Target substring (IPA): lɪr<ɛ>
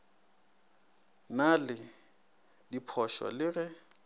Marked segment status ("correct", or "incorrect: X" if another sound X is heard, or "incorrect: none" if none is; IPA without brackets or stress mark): correct